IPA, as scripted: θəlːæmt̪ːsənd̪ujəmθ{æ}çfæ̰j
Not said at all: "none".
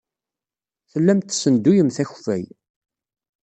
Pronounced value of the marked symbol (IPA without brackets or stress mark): æ